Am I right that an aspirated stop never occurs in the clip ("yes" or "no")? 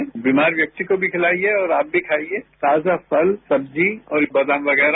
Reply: no